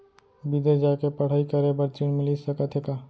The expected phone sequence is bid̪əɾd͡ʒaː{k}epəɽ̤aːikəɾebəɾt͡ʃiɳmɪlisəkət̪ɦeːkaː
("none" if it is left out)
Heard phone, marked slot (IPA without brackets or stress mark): k